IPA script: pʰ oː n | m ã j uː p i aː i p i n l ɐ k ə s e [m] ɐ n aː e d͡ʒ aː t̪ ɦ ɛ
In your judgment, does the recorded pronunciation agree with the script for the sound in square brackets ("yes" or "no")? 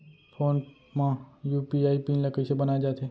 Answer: no